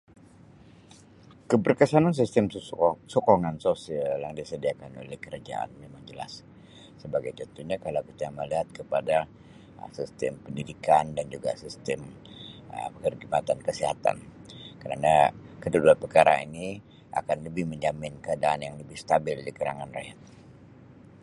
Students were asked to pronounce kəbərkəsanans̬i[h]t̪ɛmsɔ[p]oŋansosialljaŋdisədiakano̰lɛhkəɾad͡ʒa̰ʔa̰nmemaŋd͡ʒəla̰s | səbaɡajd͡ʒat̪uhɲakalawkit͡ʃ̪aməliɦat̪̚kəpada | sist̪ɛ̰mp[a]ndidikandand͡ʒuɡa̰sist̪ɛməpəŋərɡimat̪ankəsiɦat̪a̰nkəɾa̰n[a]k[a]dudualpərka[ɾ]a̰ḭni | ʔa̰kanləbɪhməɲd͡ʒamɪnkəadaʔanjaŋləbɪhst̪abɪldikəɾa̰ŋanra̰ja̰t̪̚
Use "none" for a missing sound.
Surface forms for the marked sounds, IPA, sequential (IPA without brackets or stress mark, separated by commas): s, k, ə, a, ə, ɾ